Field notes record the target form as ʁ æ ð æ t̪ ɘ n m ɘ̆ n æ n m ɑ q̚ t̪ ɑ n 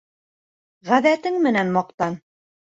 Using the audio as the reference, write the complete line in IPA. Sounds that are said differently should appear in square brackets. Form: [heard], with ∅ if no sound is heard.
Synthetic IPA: ʁ æ ð æ t̪ ɘ [ŋ] m ɘ̆ n æ n m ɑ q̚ t̪ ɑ n